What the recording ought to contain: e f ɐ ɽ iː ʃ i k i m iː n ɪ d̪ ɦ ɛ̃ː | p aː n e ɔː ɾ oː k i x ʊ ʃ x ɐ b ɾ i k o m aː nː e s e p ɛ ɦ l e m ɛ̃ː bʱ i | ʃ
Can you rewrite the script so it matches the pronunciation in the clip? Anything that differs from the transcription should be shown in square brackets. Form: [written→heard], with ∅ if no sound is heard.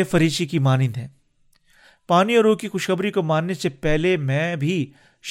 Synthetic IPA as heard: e f ɐ [ɽ→ɾ] iː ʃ i k i m [iː→aː] n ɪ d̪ ɦ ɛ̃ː | p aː n [e→i] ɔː ɾ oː k i x ʊ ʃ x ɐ b ɾ i k o m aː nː e s e p ɛ ɦ l e m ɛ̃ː bʱ i | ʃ